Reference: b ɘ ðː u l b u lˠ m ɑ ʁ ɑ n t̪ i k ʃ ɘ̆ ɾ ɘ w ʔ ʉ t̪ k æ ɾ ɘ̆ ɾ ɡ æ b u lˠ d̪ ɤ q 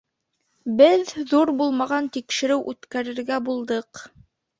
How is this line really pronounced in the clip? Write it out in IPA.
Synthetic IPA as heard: b ɘ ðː u ɾ b u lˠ m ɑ ʁ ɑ n t̪ i k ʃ ɘ̆ ɾ ɘ w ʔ ʉ t̪ k æ ɾ ɘ̆ ɾ ɡ æ b u lˠ d̪ ɤ q